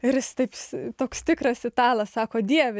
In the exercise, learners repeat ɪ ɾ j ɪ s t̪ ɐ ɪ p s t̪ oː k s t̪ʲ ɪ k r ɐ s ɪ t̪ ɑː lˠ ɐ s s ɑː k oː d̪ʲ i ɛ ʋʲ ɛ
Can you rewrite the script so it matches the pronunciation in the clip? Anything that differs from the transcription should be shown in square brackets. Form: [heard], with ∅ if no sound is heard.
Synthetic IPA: ɪ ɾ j ɪ s t̪ ɐ ɪ p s t̪ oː k s t̪ʲ ɪ k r ɐ s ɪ t̪ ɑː lˠ ɐ s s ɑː k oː d̪ʲ i ɛ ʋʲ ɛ

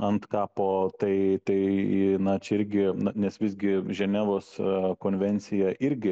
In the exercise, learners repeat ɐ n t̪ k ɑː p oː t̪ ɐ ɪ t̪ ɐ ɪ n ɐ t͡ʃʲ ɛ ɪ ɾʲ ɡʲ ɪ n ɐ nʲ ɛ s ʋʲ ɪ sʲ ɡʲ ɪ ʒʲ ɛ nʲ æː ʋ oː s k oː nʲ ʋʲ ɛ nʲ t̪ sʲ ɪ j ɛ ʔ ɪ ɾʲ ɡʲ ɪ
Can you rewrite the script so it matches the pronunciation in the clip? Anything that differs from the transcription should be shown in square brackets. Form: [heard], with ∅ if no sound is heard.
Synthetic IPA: ɐ n t̪ k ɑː p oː t̪ ɐ ɪ t̪ ɐ ɪ n ɐ t͡ʃʲ ɛ ɪ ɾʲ ɡʲ ɪ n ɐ nʲ ɛ s ʋʲ ɪ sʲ ɡʲ ɪ ʒʲ ɛ nʲ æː ʋ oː s k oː nʲ ʋʲ ɛ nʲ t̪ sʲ ɪ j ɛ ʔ ɪ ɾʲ ɡʲ ɪ

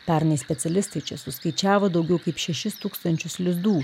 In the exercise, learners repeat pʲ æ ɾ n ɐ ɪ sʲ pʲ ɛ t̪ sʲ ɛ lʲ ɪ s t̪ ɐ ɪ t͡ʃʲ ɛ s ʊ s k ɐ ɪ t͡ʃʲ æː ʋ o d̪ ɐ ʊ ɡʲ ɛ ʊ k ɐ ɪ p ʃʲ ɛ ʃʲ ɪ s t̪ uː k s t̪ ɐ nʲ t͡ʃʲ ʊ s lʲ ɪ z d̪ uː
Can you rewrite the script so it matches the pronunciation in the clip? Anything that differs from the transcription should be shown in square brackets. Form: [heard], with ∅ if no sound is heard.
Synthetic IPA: pʲ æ ɾ n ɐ ɪ sʲ pʲ ɛ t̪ sʲ ɛ lʲ ɪ s t̪ ɐ ɪ t͡ʃʲ ɛ s ʊ s k ɐ ɪ t͡ʃʲ æː ʋ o d̪ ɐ ʊ ɡʲ ɛ ʊ k ɐ ɪ p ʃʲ ɛ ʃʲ ɪ s t̪ uː k s t̪ ɐ nʲ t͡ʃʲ ʊ s lʲ ɪ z d̪ uː

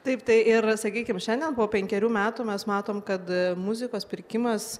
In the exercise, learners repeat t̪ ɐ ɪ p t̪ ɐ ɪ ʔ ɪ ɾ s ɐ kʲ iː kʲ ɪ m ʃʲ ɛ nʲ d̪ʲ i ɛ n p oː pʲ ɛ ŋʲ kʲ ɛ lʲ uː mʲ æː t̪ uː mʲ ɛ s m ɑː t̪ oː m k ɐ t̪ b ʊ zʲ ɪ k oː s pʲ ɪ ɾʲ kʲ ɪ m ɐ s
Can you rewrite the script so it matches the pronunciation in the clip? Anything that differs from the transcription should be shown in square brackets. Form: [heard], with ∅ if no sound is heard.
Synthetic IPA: t̪ ɐ ɪ p t̪ ɐ ɪ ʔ ɪ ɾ s ɐ kʲ iː kʲ ɪ m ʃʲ ɛ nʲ d̪ʲ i ɛ n p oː pʲ ɛ ŋʲ kʲ ɛ [ɾʲ] uː mʲ æː t̪ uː mʲ ɛ s m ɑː t̪ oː m k ɐ t̪ [m] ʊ zʲ ɪ k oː s pʲ ɪ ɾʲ kʲ ɪ m ɐ s

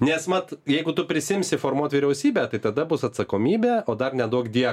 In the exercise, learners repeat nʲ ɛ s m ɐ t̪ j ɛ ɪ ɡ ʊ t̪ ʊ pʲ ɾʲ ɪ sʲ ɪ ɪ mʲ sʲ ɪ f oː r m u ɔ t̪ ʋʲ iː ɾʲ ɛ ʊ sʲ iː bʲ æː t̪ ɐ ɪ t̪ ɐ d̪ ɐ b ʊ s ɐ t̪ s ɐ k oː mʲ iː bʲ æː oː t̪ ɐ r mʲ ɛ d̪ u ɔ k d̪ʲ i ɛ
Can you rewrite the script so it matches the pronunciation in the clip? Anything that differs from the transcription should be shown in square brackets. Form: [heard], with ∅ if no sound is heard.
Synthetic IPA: nʲ ɛ s m ɐ t̪ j ɛ ɪ ɡ ʊ t̪ ʊ pʲ ɾʲ ɪ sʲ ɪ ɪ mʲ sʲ ɪ f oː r m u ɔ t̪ ʋʲ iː ɾʲ ɛ ʊ sʲ iː bʲ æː t̪ ɐ ɪ t̪ ɐ d̪ ɐ b ʊ s ɐ t̪ s ɐ k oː mʲ iː bʲ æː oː [d̪] ɐ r [nʲ] ɛ d̪ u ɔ k d̪ʲ i ɛ

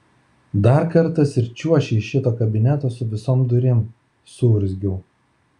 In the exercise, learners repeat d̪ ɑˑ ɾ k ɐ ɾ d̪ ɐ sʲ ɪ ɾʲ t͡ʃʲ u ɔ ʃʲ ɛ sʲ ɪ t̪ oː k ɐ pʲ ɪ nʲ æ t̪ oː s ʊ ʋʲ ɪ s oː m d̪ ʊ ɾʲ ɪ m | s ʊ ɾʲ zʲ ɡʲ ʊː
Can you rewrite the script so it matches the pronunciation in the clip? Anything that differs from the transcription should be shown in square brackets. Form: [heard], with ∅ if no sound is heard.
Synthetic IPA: d̪ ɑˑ ɾ k ɐ ɾ [t̪] ɐ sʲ ɪ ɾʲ t͡ʃʲ u ɔ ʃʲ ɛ [ʃʲ] ɪ t̪ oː k ɐ [bʲ] ɪ nʲ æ t̪ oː s ʊ ʋʲ ɪ s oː m d̪ ʊ ɾʲ ɪ m | s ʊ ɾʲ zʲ ɡʲ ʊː

